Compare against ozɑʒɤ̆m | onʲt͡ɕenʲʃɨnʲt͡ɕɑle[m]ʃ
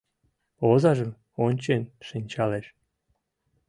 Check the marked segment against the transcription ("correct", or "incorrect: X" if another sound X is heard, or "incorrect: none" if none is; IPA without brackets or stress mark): incorrect: none